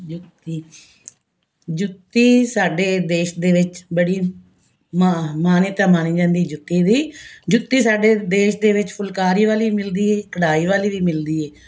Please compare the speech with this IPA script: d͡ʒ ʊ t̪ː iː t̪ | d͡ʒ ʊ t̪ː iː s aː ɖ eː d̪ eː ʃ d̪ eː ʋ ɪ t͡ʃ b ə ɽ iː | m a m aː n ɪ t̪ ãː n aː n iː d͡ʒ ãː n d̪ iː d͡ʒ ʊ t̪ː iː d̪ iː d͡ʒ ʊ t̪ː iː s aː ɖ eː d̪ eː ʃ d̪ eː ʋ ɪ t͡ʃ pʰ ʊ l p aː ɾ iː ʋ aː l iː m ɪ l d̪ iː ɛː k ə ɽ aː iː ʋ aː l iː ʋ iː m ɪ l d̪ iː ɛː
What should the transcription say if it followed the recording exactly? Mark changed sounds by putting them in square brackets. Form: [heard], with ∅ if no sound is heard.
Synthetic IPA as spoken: d͡ʒ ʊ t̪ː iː [∅] | d͡ʒ ʊ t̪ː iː s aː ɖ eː d̪ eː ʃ d̪ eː ʋ ɪ t͡ʃ b ə ɽ iː | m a m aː n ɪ t̪ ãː [m] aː n iː d͡ʒ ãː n d̪ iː d͡ʒ ʊ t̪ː iː d̪ iː d͡ʒ ʊ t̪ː iː s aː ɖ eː d̪ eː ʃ d̪ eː ʋ ɪ t͡ʃ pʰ ʊ l [k] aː ɾ iː ʋ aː l iː m ɪ l d̪ iː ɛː k ə ɽ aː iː ʋ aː l iː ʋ iː m ɪ l d̪ iː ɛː